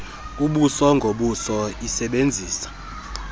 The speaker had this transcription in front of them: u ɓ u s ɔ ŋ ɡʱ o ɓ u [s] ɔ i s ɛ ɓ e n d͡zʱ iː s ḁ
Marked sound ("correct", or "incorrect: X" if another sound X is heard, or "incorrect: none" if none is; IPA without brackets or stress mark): correct